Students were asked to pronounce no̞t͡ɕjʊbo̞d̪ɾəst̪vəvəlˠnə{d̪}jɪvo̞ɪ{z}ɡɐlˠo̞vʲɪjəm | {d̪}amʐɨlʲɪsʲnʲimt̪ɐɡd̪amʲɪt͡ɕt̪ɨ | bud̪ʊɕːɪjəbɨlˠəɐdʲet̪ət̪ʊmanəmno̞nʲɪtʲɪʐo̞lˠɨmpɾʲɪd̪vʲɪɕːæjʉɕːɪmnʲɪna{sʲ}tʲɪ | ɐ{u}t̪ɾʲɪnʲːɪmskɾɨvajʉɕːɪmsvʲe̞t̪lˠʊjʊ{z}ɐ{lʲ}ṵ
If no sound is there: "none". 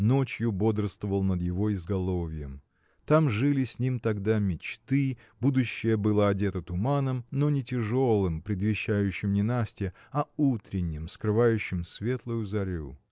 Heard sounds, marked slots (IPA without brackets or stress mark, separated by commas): d̪, z, t̪, sʲ, u, z, ɾʲ